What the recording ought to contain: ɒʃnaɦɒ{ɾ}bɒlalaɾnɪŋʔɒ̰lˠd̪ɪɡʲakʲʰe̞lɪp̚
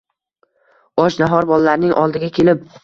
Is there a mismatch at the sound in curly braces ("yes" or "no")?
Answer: no